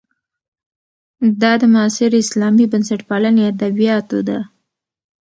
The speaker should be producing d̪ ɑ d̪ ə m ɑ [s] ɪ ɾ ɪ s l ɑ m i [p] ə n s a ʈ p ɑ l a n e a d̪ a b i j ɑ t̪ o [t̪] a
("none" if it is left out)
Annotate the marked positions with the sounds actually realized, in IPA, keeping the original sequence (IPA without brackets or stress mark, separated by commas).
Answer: s, b, d̪